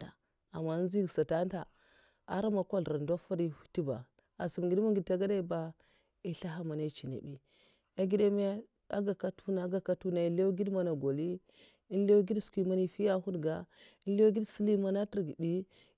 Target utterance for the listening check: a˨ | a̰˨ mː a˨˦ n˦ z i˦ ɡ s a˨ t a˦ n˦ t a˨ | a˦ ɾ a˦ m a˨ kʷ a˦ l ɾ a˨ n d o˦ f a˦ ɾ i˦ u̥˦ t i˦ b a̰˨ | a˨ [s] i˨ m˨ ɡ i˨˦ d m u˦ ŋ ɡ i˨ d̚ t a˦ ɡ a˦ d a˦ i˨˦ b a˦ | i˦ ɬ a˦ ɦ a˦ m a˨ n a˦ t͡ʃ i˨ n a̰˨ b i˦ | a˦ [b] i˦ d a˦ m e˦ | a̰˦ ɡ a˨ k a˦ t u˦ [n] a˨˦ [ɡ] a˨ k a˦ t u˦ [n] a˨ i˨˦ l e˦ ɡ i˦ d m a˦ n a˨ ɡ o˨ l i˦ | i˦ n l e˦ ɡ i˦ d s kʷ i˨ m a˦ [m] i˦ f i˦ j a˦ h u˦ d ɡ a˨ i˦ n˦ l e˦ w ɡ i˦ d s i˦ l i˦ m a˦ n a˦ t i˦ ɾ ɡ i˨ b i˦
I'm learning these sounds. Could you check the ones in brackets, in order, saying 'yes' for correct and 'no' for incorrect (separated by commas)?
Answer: yes, no, yes, yes, yes, no